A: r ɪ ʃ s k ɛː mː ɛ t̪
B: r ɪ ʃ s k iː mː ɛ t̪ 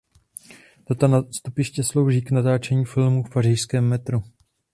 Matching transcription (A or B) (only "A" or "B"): A